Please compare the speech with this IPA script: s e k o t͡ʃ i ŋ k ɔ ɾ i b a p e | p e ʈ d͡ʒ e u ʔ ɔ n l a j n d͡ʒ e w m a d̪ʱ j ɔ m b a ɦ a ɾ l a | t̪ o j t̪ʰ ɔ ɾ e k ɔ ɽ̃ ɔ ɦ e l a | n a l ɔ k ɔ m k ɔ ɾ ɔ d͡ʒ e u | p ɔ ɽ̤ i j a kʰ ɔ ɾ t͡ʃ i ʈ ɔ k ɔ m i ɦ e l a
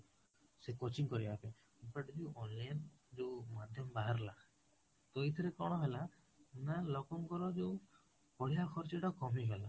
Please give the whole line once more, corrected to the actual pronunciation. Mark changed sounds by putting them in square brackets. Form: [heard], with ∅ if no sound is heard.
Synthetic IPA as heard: s e k o t͡ʃ i ŋ k ɔ ɾ i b a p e | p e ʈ d͡ʒ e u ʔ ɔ n l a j n d͡ʒ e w m a d̪ʱ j ɔ m b a ɦ a ɾ l a | t̪ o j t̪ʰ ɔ ɾ e k ɔ ɽ̃ ɔ ɦ e l a | n a l ɔ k ɔ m k ɔ ɾ ɔ d͡ʒ e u | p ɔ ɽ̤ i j a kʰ ɔ ɾ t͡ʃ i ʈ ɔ k ɔ m i ɦ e l a

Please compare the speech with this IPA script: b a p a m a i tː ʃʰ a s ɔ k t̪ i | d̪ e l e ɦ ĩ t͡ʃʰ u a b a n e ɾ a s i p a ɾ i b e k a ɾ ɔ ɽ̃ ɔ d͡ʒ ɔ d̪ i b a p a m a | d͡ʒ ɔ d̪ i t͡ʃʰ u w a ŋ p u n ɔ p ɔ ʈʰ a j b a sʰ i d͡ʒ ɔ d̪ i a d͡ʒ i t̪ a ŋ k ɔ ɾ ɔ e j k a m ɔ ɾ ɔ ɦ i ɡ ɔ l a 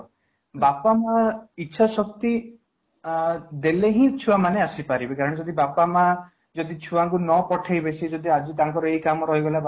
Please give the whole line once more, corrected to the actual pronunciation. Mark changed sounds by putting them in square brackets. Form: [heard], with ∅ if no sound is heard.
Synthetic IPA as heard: b a p a m a i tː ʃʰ a s ɔ k t̪ i | d̪ e l e ɦ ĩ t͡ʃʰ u a [m] a n e [∅] a s i p a ɾ i b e k a ɾ ɔ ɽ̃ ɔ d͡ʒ ɔ d̪ i b a p a m a | d͡ʒ ɔ d̪ i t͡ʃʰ u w a ŋ [k] u n ɔ p ɔ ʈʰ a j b [e] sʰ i d͡ʒ ɔ d̪ i a d͡ʒ i t̪ a ŋ k ɔ ɾ ɔ e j k a m ɔ ɾ ɔ ɦ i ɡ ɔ l a

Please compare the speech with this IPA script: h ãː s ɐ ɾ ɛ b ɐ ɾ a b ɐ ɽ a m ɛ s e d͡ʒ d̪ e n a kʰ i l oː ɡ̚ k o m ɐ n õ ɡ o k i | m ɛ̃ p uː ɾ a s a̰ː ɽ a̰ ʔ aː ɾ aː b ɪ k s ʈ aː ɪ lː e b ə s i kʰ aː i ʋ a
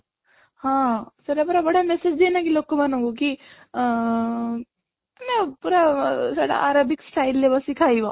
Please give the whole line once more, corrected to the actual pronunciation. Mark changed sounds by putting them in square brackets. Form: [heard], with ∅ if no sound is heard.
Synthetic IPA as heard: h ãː s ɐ ɾ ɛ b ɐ ɾ a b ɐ ɽ a m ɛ s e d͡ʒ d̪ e n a [k] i l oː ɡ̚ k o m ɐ n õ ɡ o k i | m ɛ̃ p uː ɾ a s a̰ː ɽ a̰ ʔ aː ɾ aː b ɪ k s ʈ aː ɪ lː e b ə s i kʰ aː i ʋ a

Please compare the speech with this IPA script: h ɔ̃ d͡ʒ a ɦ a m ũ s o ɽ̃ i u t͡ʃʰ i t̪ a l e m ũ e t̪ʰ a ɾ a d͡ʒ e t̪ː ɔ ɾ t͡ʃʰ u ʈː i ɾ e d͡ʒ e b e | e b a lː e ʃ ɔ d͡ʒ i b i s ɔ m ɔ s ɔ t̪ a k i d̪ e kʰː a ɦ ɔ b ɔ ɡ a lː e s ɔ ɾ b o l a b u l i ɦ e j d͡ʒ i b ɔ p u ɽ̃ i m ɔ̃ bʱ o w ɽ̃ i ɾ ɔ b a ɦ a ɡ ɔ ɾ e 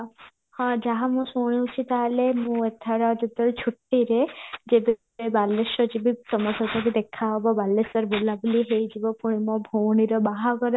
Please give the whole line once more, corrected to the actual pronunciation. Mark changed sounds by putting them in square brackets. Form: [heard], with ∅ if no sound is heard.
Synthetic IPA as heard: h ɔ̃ d͡ʒ a ɦ a m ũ s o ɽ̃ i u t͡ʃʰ i t̪ a l e m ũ e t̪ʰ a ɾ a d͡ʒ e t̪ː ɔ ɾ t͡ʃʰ u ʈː i ɾ e d͡ʒ e b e | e b a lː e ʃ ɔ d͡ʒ i b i s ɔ m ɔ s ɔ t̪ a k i d̪ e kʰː a ɦ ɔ b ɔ [b] a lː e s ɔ ɾ b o l a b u l i ɦ e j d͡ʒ i b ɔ p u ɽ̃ i m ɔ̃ bʱ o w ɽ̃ i ɾ ɔ b a ɦ a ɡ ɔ ɾ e

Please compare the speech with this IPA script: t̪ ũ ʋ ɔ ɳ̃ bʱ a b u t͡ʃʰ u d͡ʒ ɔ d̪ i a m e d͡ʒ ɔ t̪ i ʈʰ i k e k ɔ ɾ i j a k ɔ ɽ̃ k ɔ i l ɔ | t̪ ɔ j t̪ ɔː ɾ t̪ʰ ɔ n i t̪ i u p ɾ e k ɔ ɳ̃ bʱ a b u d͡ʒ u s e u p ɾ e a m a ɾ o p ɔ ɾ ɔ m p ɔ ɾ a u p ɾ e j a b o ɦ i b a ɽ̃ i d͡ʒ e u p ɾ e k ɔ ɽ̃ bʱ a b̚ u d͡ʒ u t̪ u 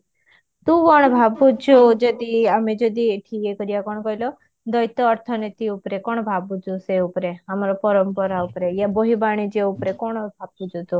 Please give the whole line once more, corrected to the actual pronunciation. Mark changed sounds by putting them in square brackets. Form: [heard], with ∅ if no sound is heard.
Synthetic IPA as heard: t̪ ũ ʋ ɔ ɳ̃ bʱ a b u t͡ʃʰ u d͡ʒ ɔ d̪ i a m e d͡ʒ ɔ [d̪] i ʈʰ i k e k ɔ ɾ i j a k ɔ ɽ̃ k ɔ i l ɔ | [d̪] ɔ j t̪ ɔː ɾ t̪ʰ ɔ n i t̪ i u p ɾ e k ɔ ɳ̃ bʱ a b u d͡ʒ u s e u p ɾ e a m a ɾ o p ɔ ɾ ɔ m p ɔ ɾ a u p ɾ e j a b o ɦ i b a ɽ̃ i d͡ʒ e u p ɾ e k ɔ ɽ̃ bʱ a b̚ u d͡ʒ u t̪ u

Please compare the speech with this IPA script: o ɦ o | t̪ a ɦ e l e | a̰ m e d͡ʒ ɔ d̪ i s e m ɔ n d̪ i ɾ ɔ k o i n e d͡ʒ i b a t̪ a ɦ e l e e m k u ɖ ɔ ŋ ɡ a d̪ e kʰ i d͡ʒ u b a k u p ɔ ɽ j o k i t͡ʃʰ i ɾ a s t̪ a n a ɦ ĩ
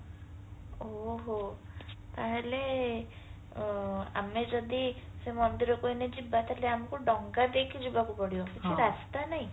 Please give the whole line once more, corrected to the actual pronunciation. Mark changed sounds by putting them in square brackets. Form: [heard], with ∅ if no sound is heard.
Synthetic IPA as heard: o ɦ o | t̪ a ɦ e l e | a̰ m e d͡ʒ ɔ d̪ i s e m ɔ n d̪ i ɾ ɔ k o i n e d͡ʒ i b a t̪ a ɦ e l e [a] m k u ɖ ɔ ŋ ɡ a d̪ e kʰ i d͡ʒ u b a k u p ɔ ɽ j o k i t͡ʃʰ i ɾ a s t̪ a n a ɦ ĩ

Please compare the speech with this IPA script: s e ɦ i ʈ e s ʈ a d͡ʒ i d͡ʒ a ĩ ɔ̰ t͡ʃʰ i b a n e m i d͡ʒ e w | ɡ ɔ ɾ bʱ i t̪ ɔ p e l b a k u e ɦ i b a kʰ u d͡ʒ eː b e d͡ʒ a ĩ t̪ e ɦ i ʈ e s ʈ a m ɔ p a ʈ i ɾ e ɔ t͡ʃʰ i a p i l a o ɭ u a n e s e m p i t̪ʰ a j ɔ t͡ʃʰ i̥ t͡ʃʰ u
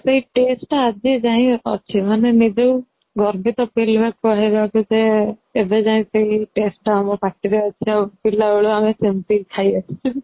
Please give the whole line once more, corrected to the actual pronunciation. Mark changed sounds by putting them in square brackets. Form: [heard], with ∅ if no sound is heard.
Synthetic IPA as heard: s e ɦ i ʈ e s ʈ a d͡ʒ i d͡ʒ a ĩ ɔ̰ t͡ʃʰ i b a n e m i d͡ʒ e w | ɡ ɔ ɾ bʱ i t̪ ɔ p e l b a k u [a] ɦ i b a [k] u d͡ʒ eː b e d͡ʒ a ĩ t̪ e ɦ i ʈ e s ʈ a m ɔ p a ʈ i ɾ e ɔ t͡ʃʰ i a p i l a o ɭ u a [m] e s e m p i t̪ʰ a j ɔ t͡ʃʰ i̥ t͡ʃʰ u

